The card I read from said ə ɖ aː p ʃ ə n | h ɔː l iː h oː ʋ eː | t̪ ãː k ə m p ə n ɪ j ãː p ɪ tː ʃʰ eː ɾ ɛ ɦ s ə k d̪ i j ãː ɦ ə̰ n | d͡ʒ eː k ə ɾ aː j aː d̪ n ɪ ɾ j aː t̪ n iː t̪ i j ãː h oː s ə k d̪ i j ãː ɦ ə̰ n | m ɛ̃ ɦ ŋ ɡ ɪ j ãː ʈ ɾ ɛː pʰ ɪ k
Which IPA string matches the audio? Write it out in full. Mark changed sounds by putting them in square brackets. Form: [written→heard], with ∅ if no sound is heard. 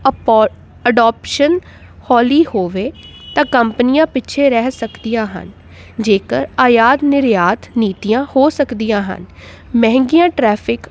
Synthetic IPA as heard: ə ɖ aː p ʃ ə n | h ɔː l iː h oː ʋ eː | t̪ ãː k ə m p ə n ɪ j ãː p ɪ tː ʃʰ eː ɾ ɛ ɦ s ə k d̪ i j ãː ɦ ə̰ n | d͡ʒ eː k ə ɾ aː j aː d̪ n ɪ ɾ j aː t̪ n iː t̪ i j ãː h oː s ə k d̪ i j ãː ɦ ə̰ n | m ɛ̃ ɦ ŋ ɡ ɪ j ãː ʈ ɾ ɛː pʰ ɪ k